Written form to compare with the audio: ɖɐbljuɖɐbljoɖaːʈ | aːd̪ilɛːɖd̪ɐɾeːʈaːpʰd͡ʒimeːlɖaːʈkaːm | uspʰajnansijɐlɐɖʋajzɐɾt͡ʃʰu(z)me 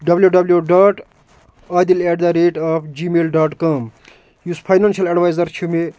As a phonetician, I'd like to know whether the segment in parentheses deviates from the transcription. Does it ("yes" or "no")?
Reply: yes